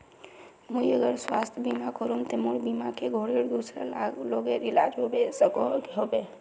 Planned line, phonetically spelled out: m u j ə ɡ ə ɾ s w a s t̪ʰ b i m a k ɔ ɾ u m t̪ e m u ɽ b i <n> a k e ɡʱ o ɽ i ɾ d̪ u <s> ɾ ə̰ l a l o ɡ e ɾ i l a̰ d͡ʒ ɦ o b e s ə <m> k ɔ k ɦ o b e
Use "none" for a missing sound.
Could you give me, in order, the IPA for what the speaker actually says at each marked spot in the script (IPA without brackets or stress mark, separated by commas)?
m, s, none